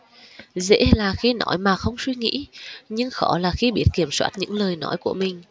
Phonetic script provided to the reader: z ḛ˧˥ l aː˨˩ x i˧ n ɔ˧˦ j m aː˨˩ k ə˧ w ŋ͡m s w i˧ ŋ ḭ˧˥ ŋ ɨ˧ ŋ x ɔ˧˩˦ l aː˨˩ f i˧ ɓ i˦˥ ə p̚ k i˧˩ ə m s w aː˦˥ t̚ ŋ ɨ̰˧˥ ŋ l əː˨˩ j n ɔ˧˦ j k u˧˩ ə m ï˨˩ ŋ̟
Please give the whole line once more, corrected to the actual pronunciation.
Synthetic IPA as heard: z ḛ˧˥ l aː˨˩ x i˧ n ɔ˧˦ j m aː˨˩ x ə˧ w ŋ͡m s w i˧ ŋ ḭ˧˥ ɲ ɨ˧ ŋ x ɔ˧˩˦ l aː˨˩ x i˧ ɓ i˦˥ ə t̚ k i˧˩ ə m s w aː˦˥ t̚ ɲ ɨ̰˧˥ ŋ l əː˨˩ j n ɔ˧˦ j k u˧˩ ə m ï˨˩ ŋ̟

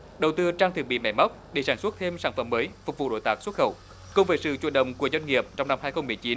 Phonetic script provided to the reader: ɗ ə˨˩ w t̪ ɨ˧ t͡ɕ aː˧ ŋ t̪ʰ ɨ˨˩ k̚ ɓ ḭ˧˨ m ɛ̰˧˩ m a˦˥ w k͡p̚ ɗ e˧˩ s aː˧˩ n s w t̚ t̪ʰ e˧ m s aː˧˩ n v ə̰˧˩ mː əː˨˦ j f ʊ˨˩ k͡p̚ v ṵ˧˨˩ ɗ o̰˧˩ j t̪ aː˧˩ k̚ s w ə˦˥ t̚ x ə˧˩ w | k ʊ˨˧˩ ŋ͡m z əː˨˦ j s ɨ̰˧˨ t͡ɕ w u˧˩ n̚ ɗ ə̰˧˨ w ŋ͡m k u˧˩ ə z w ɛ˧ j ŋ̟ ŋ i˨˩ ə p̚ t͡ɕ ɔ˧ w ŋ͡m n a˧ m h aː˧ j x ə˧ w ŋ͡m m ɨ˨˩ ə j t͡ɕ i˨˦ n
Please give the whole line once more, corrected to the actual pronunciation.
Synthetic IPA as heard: ɗ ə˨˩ w t̪ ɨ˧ t͡ɕ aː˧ ŋ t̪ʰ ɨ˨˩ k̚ ɓ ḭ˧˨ m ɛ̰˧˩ m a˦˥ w k͡p̚ ɗ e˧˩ s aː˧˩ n s w t̚ t̪ʰ e˧ m s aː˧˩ n f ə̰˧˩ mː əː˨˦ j f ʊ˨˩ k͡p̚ v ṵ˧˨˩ ɗ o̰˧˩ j t̪ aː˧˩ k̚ s w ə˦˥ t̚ x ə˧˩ w | k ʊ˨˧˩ ŋ͡m v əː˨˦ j s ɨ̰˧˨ t͡ɕ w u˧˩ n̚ ɗ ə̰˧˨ w ŋ͡m k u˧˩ ə z w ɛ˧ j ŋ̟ ŋ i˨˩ ə p̚ t͡ɕ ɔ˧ w ŋ͡m n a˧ m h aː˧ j x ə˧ w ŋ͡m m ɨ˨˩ ə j t͡ɕ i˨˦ n

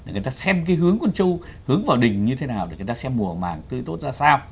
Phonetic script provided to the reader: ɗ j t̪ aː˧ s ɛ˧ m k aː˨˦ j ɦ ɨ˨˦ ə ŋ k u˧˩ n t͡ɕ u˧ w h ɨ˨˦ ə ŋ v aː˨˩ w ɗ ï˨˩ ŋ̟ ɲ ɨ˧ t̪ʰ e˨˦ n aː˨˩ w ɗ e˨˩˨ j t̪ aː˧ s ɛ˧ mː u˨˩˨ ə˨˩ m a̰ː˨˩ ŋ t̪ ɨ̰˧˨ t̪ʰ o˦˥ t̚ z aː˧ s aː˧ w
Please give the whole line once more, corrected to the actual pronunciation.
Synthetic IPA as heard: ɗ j t̪ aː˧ s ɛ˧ m k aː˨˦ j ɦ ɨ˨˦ ə ŋ k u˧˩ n t͡ɕ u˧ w h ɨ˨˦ ə ŋ v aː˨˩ w ɗ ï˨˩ ŋ̟ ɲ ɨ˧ t̪ʰ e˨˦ n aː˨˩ w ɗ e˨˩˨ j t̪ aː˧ s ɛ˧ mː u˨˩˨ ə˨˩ m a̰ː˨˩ ŋ t̪ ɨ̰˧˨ t̪ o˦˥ t̚ z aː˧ s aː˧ w

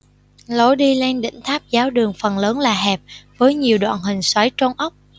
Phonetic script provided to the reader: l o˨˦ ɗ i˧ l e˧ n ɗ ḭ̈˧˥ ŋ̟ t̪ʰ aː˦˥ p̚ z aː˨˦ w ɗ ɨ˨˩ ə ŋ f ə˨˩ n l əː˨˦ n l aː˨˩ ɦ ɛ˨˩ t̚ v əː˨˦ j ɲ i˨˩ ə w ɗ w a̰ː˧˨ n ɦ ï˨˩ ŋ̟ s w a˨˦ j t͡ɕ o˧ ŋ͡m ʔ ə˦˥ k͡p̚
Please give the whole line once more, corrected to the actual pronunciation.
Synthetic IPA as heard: l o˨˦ ɗ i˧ l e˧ n ɗ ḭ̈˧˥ ŋ̟ t̪ʰ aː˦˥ p̚ z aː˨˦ w ɗ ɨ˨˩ ə ŋ f ə˨˩ n l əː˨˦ n l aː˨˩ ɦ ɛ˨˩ p̚ v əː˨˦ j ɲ i˨˩ ə w ɗ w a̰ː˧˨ n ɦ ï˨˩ ŋ̟ s w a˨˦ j t͡ɕ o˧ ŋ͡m ʔ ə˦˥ k͡p̚

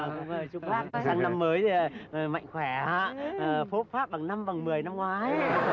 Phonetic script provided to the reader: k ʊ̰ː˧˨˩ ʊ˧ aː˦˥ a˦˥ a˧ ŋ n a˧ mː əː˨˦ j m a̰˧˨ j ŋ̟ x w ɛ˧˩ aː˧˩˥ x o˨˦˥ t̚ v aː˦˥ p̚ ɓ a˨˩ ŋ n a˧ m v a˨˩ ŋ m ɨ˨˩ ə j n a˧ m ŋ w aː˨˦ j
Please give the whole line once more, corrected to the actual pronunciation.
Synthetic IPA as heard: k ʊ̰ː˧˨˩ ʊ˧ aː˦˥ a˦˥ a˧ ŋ n a˧ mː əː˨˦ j m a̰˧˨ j ŋ̟ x w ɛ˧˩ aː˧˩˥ f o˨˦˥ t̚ f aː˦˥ p̚ ɓ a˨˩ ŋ n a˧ m v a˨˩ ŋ m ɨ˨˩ ə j n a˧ m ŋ w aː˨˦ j

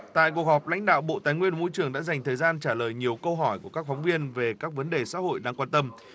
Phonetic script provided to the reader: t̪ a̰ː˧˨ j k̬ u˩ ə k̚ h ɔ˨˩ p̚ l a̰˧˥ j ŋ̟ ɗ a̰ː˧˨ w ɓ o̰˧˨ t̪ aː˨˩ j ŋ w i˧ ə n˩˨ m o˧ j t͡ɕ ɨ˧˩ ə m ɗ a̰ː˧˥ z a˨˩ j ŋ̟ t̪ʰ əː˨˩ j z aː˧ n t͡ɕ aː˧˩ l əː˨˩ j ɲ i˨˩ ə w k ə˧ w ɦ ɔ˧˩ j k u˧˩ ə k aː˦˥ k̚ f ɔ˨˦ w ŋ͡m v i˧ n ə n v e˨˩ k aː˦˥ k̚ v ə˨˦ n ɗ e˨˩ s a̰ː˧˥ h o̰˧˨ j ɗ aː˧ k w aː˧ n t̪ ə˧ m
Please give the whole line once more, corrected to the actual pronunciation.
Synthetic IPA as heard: t̪ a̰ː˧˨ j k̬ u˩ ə k̚ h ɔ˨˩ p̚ l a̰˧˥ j ŋ̟ ɗ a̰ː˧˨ w ɓ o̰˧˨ t̪ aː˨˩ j ŋ w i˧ ə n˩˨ m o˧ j t͡ɕ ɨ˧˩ ə ŋ ɗ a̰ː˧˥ z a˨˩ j ŋ̟ t̪ʰ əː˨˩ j z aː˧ n t͡ɕ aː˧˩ l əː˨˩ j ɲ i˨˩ ə w k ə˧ w ɦ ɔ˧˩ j k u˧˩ ə k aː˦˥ k̚ f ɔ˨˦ w ŋ͡m v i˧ ə n v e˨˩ k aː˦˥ k̚ v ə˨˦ n ɗ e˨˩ s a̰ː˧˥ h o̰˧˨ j ɗ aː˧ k w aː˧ n t̪ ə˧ m

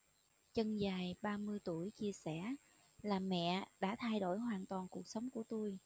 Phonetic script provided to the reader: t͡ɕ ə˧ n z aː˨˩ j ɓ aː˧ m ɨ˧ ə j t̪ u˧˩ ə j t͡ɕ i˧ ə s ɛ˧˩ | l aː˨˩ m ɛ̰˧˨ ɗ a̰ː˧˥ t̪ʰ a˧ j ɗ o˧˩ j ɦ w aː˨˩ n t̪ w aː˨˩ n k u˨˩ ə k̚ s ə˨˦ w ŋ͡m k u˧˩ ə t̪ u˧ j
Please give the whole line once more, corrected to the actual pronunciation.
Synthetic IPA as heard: t͡ɕ ə˧ n z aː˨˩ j ɓ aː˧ m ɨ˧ ə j t̪ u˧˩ ə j t͡ɕ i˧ ə s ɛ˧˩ | l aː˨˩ m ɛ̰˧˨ ɗ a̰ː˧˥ t̪ʰ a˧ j ɗ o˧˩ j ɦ w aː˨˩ n t̪ w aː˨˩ n k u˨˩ ə k̚ s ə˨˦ w ŋ͡m k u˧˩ ə t̪ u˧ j

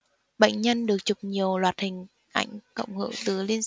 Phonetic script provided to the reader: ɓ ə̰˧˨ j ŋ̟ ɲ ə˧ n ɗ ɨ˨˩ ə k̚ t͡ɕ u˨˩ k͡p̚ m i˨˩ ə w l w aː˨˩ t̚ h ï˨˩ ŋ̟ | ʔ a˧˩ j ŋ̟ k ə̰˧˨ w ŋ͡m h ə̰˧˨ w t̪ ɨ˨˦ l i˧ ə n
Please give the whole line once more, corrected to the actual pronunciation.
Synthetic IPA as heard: ɓ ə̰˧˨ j ŋ̟ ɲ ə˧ n ɗ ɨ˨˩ ə k̚ t͡ɕ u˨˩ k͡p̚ ɲ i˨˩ ə w l w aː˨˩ t̚ h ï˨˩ ŋ̟ | ʔ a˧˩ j ŋ̟ k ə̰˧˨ w ŋ͡m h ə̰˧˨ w t̪ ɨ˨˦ l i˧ ə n

